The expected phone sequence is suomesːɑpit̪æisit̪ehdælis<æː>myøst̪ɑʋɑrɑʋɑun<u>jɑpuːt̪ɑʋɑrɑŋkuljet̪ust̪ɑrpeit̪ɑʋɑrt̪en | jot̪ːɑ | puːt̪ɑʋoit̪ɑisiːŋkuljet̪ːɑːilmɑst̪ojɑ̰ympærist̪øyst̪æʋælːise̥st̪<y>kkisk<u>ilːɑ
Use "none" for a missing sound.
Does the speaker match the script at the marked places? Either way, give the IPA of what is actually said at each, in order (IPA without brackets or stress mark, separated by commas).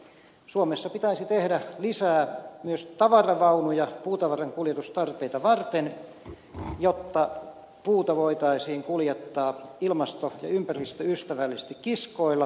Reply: æː, u, i, o